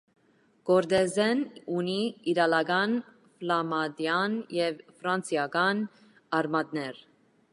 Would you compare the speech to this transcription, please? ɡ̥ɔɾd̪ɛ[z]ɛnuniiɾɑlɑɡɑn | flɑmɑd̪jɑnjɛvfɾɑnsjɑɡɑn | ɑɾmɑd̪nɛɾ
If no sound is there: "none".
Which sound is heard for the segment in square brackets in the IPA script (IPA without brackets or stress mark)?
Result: z